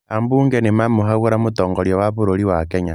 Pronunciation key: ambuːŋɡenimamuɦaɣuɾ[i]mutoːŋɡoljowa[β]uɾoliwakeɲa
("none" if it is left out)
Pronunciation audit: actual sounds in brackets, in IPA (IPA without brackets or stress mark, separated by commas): a, β